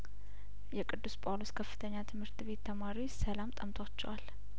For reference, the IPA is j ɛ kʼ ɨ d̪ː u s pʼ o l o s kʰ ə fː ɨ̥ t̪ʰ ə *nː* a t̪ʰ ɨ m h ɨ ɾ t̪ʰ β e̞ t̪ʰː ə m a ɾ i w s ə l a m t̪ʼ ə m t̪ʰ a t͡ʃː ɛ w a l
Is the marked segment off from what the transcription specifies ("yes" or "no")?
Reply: yes